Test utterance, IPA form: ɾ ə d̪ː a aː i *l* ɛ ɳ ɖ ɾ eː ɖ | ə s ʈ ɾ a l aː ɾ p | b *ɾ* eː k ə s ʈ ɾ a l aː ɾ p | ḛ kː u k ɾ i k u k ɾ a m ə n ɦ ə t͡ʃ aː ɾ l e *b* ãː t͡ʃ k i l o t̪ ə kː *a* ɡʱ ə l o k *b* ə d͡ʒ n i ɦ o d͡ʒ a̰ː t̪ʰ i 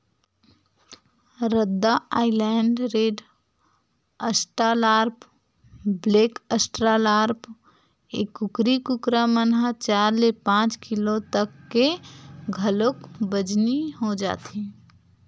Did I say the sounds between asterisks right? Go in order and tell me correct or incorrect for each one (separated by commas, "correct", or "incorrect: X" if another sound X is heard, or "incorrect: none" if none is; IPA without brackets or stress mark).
correct, incorrect: l, incorrect: p, incorrect: e, correct